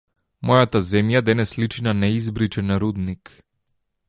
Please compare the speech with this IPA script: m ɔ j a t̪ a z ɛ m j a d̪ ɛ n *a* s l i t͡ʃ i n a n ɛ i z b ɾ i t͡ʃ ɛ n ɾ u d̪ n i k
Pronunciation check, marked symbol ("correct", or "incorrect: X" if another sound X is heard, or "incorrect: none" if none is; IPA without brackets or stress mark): incorrect: ɛ